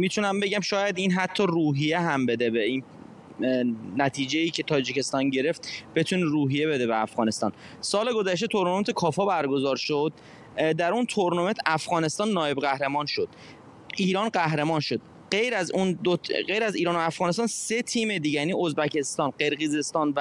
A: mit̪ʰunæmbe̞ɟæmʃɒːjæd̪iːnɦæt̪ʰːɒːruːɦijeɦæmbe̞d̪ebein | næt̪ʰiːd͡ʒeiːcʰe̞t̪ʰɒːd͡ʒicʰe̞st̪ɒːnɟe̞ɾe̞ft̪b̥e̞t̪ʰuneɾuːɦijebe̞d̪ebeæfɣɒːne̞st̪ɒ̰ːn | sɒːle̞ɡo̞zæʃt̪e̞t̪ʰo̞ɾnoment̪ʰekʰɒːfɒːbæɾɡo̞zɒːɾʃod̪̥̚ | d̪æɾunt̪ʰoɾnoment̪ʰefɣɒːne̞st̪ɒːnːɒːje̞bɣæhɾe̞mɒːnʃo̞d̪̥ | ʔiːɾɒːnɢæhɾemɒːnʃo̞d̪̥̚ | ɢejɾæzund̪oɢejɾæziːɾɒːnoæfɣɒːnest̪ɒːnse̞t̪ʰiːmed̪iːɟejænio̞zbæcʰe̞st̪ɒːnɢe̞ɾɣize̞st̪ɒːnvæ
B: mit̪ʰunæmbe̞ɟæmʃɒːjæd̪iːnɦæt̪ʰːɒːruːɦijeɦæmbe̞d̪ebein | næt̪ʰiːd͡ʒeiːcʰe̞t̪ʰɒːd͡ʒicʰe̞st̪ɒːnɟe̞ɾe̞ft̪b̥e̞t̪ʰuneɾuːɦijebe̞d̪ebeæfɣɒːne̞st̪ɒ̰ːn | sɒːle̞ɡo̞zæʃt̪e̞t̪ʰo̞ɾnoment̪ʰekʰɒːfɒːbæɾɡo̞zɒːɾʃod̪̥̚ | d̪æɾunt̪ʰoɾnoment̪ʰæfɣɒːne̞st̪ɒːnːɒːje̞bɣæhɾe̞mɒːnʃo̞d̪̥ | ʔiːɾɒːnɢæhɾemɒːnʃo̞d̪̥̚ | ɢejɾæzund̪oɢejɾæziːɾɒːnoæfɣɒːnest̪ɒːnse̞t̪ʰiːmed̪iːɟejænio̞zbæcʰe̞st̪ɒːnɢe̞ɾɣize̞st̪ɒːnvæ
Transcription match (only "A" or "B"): B